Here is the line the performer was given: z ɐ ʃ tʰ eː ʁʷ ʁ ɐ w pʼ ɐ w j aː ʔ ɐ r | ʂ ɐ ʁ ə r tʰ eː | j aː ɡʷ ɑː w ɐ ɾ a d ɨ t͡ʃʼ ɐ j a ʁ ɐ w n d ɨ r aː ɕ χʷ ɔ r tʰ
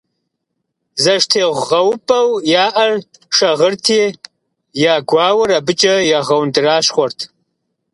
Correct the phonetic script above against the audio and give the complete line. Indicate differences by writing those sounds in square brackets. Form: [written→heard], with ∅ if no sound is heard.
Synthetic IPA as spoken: z ɐ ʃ tʰ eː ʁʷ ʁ ɐ w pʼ ɐ w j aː ʔ ɐ r | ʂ ɐ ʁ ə r tʰ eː | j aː ɡʷ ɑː w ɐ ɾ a [d→b] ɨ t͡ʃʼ ɐ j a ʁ ɐ w n d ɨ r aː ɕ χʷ ɔ r tʰ